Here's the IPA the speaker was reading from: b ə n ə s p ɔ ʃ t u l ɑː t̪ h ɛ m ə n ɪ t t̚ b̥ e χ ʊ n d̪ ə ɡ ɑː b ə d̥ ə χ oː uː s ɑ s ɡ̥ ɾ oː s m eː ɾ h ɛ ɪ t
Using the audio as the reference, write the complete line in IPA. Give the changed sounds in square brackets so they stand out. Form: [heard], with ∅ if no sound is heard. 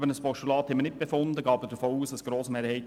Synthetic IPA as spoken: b ə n ə s p ɔ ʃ t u l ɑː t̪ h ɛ m ə n ɪ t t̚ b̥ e [f] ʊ n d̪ ə ɡ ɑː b ə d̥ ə [f] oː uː s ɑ s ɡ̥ ɾ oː s m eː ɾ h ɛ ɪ t